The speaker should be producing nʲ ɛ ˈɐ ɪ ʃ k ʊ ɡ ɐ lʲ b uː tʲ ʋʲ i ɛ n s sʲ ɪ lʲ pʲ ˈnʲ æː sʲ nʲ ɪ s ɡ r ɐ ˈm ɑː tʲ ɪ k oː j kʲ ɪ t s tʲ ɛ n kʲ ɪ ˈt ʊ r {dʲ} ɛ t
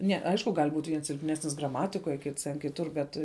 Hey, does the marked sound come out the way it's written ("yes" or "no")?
no